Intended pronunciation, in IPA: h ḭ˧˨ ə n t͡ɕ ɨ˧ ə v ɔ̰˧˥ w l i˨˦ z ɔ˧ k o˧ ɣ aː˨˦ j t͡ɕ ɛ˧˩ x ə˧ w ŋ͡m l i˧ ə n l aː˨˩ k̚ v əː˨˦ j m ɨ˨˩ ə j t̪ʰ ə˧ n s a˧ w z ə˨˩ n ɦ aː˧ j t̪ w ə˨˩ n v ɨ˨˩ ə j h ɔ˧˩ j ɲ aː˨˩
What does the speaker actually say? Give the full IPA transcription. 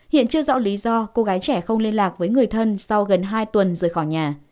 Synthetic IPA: h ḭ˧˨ ə n t͡ɕ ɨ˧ ə z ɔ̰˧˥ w l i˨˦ z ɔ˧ k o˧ ɣ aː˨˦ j t͡ɕ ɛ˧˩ x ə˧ w ŋ͡m l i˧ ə n l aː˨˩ k̚ v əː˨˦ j ŋ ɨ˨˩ ə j t̪ʰ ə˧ n s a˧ w ɣ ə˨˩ n ɦ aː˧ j t̪ w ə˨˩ n z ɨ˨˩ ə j x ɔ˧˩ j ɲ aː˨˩